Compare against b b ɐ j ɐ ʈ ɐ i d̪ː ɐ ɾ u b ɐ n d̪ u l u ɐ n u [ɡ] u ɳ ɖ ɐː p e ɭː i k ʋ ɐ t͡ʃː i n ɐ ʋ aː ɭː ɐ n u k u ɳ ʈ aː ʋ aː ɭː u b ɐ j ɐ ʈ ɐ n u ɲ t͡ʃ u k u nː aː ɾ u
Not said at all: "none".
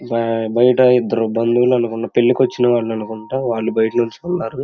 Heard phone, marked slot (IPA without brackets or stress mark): k